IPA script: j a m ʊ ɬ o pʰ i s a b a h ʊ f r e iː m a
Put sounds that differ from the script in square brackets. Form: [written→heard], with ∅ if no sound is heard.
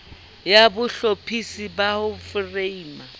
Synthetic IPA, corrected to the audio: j a [m→b] ʊ ɬ o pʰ i s [a→i] b a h ʊ f r e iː m a